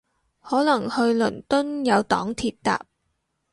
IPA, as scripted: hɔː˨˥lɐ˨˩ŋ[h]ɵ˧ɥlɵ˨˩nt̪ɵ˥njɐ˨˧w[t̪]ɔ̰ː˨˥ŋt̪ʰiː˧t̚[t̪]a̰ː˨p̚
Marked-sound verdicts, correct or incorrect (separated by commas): correct, correct, correct